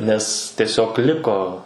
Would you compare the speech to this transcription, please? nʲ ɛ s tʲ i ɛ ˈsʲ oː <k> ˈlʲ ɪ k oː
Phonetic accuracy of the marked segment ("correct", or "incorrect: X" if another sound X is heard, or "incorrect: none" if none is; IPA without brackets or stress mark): correct